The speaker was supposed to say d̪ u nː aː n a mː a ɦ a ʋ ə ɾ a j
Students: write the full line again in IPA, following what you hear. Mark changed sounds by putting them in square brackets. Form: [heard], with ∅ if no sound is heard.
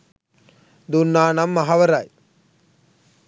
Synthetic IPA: d̪ u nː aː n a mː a ɦ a ʋ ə ɾ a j